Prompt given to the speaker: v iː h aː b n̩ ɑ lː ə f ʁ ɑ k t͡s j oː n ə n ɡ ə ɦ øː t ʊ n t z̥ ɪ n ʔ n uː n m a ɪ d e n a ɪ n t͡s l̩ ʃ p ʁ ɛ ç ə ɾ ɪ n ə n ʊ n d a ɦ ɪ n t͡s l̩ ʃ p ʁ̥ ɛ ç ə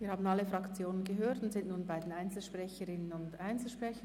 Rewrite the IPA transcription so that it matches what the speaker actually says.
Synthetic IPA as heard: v iː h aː b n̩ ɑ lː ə f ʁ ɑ k t͡s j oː n ə n ɡ ə ɦ øː t ʊ n t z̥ ɪ n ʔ n uː n b a ɪ d e n a ɪ n t͡s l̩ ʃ p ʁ ɛ ç ə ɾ ɪ n ə n ʊ n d a ɪ n t͡s l̩ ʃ p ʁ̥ ɛ ç ə